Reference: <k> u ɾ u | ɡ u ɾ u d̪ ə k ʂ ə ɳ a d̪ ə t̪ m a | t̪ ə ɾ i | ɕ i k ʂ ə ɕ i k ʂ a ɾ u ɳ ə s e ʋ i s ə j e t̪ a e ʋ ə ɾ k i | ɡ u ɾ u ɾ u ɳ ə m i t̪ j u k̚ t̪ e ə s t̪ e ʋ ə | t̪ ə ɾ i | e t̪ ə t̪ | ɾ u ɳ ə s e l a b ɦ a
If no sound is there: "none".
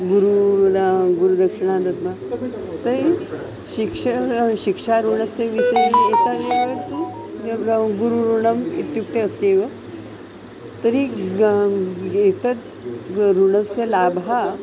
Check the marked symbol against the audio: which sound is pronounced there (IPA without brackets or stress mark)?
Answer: ɡ